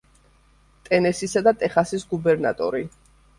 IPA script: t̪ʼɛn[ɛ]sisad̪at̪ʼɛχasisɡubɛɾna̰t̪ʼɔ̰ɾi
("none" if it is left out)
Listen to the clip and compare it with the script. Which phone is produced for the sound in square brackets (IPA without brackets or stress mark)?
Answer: ɛ